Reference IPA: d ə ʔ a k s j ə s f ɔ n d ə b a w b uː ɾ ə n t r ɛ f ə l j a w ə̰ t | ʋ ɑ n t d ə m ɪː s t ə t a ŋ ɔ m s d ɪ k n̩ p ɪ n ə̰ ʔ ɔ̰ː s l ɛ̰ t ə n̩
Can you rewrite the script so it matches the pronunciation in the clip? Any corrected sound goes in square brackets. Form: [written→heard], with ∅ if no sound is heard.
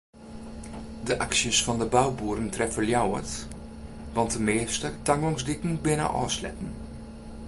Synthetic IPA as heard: d ə ʔ a k s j ə s f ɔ n d ə b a w b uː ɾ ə n t r ɛ f ə l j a w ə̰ t | ʋ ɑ n t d ə m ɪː s t ə t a ŋ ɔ [m→ŋ] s d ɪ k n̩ [p→b] ɪ n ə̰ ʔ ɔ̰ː s l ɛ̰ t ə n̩